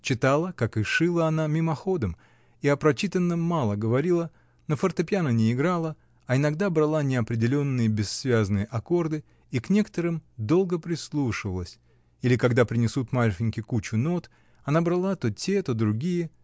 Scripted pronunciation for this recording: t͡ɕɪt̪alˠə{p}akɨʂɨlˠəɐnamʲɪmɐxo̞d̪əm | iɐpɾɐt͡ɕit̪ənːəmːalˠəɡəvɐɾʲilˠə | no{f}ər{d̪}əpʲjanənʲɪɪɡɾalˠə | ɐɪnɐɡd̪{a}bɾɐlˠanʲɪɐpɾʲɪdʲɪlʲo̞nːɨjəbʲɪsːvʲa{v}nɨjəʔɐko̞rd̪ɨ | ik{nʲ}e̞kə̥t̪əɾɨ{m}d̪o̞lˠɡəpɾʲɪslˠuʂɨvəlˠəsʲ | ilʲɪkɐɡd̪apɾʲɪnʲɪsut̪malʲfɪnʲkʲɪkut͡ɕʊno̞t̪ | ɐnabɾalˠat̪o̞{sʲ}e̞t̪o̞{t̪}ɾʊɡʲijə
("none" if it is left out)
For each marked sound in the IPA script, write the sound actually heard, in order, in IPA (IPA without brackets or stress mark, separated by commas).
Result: k, f, t̪, a, z, nʲ, m, tʲ, d̪